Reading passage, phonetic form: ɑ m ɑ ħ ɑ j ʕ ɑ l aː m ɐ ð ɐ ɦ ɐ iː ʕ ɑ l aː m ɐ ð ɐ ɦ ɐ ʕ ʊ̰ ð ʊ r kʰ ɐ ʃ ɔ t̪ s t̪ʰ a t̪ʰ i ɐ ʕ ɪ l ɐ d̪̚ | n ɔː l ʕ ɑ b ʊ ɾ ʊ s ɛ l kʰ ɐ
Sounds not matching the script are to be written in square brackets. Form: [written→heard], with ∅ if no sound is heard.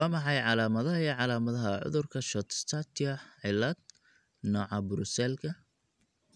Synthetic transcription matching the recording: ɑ m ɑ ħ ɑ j ʕ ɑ l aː m ɐ ð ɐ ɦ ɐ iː ʕ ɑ l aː m ɐ ð ɐ ɦ ɐ ʕ ʊ̰ ð ʊ r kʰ ɐ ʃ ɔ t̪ s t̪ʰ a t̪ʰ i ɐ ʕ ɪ l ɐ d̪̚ | n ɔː [l→∅] ʕ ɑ b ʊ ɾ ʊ s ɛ l kʰ ɐ

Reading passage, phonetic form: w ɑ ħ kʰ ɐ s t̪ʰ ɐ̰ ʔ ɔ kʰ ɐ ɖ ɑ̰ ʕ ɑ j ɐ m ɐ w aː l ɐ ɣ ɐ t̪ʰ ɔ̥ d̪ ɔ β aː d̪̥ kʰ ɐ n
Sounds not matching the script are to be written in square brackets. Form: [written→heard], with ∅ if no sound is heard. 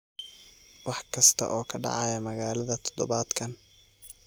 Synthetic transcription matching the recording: w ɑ ħ kʰ ɐ s t̪ʰ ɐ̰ ʔ [ɔ→ɔː] kʰ ɐ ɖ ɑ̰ ʕ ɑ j ɐ m ɐ [w→ɣ] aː l ɐ [ɣ→ð] ɐ t̪ʰ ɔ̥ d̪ ɔ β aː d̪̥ kʰ ɐ n

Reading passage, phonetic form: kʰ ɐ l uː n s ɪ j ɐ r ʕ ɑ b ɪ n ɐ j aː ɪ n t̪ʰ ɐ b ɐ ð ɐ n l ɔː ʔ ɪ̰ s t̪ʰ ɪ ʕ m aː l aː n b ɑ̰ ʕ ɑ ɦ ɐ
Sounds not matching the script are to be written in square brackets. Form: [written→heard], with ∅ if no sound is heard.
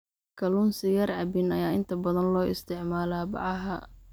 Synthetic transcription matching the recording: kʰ ɐ l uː n s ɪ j ɐ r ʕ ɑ b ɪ n ɐ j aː ɪ n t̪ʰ ɐ b ɐ ð ɐ n l ɔː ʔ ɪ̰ s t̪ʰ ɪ ʕ m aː l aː [n→∅] b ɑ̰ ʕ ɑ ɦ ɐ

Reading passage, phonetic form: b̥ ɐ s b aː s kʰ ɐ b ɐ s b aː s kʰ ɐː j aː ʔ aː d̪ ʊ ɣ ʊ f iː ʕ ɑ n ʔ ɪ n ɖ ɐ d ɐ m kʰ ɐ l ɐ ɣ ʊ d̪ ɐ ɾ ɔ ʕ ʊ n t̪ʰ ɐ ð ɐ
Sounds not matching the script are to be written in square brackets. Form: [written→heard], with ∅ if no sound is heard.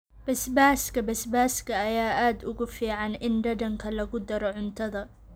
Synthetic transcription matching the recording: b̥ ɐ s b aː s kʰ ɐ b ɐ s b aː s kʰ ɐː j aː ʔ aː d̪ ʊ ɣ ʊ f iː ʕ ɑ n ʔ ɪ n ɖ ɐ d ɐ [m→ŋ] kʰ ɐ l ɐ ɣ ʊ d̪ ɐ ɾ ɔ ʕ ʊ n t̪ʰ ɐ ð ɐ

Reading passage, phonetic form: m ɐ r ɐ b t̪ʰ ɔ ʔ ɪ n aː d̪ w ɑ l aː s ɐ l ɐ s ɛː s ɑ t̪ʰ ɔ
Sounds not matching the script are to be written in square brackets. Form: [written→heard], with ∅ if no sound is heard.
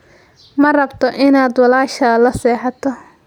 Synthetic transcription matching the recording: m ɐ r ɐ b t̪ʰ ɔ ʔ ɪ n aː d̪ w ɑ l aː [s→ʃ] ɐ l ɐ s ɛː [s→ħ] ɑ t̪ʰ ɔ

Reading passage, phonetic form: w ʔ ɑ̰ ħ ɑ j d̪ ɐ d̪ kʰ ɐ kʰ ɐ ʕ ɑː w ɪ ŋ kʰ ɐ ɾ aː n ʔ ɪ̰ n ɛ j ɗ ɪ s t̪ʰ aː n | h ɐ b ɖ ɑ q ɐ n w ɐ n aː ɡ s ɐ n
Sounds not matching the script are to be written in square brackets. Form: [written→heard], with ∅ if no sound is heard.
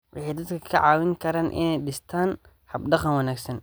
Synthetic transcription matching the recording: w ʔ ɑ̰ ħ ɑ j d̪ ɐ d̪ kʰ ɐ kʰ ɐ ʕ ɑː w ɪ ŋ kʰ ɐ ɾ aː n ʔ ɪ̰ n ɛ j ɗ ɪ s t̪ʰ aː n | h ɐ b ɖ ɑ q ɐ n w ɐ n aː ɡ s ɐ n

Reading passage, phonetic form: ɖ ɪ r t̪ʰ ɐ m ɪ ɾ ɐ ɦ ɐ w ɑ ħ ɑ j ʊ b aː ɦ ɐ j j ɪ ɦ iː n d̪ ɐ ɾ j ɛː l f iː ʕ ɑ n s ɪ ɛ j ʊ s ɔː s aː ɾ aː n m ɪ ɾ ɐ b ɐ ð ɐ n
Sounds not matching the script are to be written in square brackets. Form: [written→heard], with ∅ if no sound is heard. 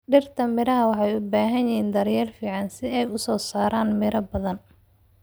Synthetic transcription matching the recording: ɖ ɪ r t̪ʰ ɐ m ɪ ɾ ɐ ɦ ɐ w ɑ ħ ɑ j ʊ b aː ɦ ɐ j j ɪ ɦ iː n d̪ ɐ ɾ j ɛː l f iː ʕ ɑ n s ɪ ɛ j ʊ s ɔː s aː ɾ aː n m ɪ ɾ ɐ b ɐ ð ɐ n

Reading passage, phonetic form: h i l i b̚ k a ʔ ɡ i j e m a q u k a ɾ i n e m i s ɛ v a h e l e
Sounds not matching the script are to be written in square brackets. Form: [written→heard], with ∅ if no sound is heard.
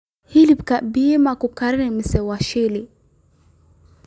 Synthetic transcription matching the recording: h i l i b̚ k a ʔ [ɡ→b] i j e m a [q→k] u k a ɾ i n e m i s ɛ [v→w] a [h→ʃ] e l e

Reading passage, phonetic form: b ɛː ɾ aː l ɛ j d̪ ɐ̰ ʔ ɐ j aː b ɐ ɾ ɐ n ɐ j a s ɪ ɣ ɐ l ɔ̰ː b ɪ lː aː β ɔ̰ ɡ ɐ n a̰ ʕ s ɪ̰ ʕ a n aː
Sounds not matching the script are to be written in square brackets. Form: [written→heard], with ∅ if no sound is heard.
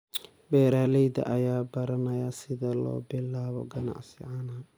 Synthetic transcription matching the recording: b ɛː ɾ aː l ɛ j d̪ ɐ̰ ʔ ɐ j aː b ɐ ɾ ɐ n ɐ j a s ɪ [ɣ→ð] ɐ l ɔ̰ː b ɪ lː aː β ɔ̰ ɡ ɐ n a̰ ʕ s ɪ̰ ʕ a n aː

